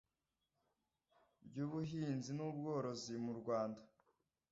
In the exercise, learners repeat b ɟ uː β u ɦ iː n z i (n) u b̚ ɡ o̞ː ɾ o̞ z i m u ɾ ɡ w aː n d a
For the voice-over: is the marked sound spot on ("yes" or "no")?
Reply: yes